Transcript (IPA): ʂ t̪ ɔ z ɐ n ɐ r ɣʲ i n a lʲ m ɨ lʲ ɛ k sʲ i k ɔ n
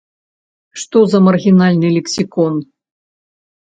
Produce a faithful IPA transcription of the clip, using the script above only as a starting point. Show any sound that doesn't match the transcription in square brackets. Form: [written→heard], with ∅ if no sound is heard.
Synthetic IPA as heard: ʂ t̪ ɔ z ɐ [n→m] ɐ r ɣʲ i n a lʲ [m→n] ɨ lʲ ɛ k sʲ i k ɔ n